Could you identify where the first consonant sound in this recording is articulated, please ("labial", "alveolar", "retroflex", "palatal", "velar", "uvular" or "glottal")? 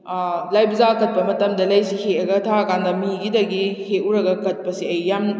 alveolar